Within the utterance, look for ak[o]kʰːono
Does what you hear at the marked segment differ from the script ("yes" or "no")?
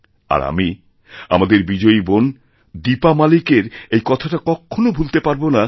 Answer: yes